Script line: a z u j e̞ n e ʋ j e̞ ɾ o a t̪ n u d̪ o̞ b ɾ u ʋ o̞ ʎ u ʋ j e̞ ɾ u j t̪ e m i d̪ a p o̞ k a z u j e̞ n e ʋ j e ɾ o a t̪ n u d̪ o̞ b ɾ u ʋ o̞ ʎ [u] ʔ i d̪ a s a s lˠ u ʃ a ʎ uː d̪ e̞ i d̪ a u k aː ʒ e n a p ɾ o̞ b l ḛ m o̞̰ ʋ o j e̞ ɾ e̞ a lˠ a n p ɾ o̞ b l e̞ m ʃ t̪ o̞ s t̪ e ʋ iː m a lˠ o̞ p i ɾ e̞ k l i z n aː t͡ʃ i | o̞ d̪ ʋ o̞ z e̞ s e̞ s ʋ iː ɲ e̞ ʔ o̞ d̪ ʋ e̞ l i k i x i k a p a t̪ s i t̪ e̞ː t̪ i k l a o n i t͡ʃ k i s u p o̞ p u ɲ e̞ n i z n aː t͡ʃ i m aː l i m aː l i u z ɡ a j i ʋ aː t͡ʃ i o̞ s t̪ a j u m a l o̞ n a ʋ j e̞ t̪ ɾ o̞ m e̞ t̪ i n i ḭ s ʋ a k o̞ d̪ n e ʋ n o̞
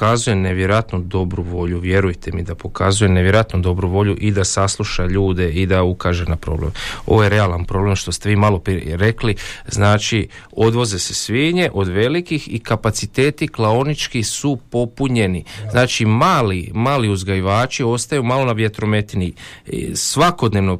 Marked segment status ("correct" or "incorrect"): correct